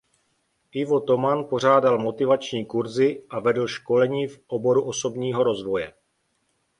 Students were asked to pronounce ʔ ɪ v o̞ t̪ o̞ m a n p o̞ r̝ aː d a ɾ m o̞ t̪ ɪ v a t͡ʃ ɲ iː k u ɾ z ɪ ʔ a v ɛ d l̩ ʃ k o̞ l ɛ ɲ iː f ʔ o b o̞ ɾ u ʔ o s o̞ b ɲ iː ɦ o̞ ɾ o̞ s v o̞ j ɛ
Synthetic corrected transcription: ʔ ɪ v o̞ t̪ o̞ m a n p o̞ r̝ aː d a l m o̞ t̪ ɪ v a t͡ʃ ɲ iː k u ɾ z ɪ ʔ a v ɛ d l̩ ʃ k o̞ l ɛ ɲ iː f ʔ o b o̞ ɾ u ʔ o s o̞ b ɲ iː ɦ o̞ ɾ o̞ z v o̞ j ɛ